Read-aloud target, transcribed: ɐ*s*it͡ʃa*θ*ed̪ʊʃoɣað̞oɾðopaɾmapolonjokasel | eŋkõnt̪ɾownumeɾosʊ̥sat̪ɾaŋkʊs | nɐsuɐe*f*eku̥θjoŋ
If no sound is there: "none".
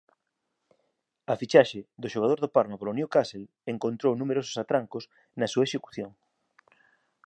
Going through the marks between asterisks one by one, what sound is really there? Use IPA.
f, ʃ, ʃ

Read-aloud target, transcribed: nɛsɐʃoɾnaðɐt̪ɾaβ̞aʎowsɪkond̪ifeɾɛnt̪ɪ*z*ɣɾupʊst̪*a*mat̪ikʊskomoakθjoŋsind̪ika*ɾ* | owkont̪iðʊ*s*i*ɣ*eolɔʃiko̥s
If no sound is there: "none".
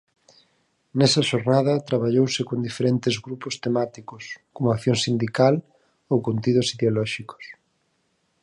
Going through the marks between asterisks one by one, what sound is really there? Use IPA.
z, e, l, s, ð

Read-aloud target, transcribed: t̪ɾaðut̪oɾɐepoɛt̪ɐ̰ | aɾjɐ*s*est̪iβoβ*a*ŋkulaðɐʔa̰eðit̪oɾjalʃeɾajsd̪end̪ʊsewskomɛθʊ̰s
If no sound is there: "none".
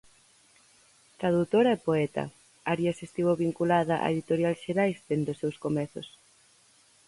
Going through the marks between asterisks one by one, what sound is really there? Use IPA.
s, i

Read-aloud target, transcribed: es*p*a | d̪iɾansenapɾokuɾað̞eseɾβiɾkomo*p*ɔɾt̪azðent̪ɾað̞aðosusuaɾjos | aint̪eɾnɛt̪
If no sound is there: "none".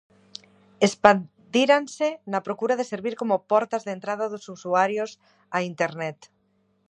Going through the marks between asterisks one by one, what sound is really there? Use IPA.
p, p

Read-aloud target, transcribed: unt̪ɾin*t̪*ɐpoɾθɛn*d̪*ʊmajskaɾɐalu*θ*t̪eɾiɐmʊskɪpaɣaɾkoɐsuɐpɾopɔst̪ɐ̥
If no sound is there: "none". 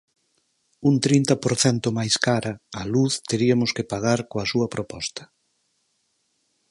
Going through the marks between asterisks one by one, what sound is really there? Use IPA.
t̪, t̪, θ

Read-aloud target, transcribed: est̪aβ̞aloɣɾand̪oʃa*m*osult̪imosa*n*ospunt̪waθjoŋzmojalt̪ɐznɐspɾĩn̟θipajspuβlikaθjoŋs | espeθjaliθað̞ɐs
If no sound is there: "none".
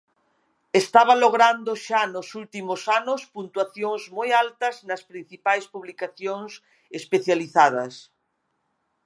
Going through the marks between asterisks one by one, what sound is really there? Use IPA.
n, n

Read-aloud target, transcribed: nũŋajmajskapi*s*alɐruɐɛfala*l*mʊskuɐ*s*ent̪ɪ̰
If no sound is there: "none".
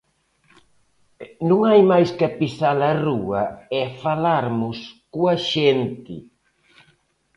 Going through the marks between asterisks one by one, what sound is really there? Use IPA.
s, ɾ, ʃ

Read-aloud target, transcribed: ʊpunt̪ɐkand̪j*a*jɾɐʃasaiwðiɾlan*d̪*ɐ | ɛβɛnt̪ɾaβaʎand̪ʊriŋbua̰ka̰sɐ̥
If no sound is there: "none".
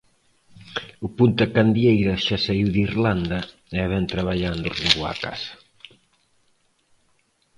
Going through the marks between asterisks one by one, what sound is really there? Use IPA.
e, d̪

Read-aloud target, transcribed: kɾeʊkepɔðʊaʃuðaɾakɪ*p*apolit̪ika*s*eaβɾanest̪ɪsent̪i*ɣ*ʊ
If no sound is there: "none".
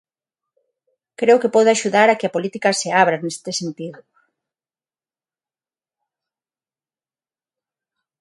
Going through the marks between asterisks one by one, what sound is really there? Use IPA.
none, s, ð

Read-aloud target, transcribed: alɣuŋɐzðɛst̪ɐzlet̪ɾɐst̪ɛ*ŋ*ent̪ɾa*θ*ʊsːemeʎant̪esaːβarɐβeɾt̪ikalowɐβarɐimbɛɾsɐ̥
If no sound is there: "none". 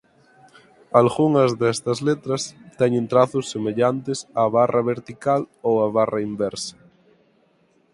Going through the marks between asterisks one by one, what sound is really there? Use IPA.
ɲ, θ

